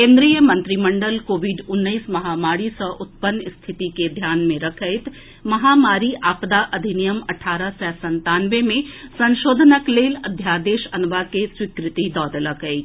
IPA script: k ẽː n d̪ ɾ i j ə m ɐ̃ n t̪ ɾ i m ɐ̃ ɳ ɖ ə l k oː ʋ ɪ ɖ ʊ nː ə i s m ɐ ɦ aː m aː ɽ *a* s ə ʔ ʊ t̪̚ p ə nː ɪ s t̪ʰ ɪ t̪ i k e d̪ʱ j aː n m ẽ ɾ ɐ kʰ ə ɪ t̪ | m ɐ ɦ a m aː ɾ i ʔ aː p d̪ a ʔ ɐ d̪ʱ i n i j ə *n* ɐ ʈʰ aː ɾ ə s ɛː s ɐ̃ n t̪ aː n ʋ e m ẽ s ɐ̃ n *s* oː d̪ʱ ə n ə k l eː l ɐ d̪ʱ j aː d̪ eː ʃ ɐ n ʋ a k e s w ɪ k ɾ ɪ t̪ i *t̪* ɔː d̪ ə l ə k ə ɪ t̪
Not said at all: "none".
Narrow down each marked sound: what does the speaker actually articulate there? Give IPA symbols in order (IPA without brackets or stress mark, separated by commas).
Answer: i, m, ʃ, d̪